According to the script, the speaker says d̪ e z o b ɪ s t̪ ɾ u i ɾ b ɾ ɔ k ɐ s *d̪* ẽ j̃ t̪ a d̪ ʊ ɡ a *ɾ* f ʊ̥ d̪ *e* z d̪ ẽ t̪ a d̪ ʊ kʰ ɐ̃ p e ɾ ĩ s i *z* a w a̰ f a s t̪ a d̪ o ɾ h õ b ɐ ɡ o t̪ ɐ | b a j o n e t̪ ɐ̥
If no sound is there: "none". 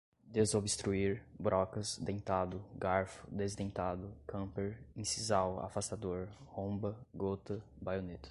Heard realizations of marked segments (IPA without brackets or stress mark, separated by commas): d̪, ɾ, e, z